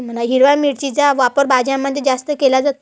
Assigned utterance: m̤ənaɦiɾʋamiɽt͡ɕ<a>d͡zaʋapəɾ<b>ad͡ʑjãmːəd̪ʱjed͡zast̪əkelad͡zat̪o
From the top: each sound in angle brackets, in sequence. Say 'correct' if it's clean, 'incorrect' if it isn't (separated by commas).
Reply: incorrect, correct